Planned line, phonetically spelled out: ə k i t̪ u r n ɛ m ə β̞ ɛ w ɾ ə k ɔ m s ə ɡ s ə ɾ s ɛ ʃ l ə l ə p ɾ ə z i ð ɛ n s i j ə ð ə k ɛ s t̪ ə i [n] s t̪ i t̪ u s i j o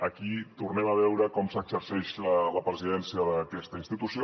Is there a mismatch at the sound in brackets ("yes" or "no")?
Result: no